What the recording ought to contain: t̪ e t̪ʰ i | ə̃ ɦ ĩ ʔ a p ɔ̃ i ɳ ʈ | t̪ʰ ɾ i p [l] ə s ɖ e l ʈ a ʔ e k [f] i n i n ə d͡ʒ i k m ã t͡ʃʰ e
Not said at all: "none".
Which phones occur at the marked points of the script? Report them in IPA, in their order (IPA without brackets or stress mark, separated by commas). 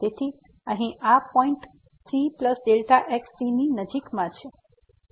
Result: l, s